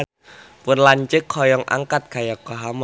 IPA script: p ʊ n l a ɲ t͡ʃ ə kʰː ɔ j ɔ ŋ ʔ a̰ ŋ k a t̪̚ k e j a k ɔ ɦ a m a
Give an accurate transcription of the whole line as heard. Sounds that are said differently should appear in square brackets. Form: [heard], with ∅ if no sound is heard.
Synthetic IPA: p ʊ n l a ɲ t͡ʃ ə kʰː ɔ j ɔ ŋ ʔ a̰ ŋ k a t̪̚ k [a] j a k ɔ ɦ a m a